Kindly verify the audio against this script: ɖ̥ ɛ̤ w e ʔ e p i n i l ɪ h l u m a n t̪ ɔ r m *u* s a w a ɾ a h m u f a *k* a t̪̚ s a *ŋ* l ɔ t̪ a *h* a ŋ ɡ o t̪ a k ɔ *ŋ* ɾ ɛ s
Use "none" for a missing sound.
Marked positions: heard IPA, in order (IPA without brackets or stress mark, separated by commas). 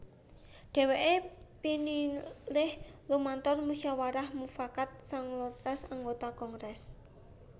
u, k, ŋ, s, ŋ